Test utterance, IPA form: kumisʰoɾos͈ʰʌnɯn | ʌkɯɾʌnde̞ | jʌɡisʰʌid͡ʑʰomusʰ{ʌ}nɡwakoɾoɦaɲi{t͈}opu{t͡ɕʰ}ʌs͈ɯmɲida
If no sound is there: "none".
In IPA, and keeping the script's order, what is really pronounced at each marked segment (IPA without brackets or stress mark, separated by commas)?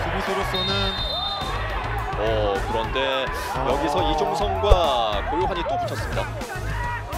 ʌ, t͈, t͡ɕʰ